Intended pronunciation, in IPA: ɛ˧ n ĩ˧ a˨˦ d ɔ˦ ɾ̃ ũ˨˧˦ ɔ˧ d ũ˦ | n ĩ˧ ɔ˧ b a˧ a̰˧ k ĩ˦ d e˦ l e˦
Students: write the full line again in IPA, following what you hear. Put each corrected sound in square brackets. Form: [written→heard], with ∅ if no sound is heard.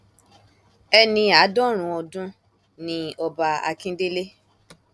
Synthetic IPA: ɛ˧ n ĩ˧ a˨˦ d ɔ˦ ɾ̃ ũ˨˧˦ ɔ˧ d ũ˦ | n ĩ˧ ɔ˧ b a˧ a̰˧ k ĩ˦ d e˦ l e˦